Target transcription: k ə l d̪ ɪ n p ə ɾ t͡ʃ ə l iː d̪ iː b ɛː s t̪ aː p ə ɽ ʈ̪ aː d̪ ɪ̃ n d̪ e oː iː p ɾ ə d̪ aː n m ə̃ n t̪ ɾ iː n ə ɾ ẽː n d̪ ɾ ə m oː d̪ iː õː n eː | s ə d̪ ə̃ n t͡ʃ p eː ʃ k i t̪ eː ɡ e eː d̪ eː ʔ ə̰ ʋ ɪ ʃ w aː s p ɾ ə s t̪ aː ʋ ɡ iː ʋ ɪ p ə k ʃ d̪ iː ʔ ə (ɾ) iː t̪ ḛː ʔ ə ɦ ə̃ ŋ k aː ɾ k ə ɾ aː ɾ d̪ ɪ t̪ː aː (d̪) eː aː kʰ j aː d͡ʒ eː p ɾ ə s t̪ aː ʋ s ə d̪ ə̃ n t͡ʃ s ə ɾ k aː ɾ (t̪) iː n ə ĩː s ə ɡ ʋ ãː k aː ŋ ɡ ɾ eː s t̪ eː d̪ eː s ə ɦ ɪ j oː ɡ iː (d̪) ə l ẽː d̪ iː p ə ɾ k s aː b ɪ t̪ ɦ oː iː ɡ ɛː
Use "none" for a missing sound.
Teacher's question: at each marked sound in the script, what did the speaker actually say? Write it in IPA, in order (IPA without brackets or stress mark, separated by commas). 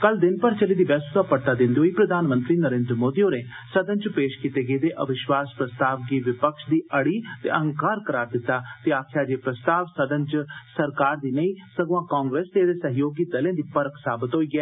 ɽ, t̪, d̪, d̪